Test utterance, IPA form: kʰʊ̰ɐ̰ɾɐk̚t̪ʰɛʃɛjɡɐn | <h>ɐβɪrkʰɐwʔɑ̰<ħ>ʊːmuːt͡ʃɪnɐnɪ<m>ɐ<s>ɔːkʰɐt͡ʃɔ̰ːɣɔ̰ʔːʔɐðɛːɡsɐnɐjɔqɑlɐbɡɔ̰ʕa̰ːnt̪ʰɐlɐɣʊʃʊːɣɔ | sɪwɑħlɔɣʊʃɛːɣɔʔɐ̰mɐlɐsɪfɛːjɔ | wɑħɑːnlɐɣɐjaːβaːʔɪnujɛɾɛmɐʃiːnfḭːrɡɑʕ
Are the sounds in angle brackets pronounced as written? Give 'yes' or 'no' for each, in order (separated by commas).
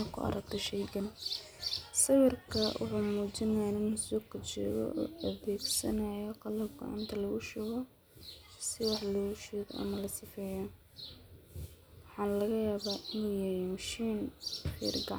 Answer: no, yes, no, yes